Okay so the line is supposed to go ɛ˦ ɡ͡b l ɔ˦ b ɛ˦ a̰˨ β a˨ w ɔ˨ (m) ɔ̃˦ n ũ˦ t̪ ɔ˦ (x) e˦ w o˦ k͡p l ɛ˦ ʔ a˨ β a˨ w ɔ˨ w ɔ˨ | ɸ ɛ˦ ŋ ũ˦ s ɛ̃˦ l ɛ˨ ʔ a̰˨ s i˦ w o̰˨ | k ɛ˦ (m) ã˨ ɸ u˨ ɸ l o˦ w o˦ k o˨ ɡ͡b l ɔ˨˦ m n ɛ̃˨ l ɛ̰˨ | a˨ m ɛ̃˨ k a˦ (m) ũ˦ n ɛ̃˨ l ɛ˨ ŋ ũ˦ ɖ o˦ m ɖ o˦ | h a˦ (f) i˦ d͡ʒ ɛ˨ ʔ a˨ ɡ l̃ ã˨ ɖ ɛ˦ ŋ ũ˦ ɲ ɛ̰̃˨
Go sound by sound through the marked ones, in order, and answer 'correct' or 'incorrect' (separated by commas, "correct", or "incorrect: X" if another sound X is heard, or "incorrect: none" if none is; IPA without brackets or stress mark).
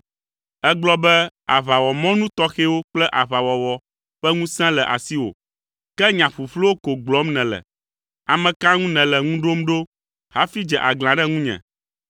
correct, correct, incorrect: ɲ, incorrect: ŋ, correct